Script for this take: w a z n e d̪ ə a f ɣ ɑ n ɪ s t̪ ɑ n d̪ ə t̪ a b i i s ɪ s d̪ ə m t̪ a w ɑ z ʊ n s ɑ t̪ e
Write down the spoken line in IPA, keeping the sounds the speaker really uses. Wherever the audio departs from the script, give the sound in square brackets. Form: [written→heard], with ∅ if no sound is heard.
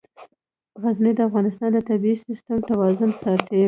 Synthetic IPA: [w→ɣ] a z n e d̪ ə a f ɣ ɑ n ɪ s t̪ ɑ n d̪ ə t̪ a b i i s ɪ s [d̪→t̪] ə m t̪ a w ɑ z ʊ n s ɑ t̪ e